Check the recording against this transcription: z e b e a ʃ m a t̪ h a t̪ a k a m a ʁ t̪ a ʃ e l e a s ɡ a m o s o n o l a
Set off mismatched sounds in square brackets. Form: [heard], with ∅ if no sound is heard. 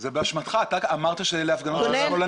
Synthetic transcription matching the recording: z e b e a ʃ m a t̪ [χ] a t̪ a k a m a ʁ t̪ a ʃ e l e a [f] ɡ a [n] o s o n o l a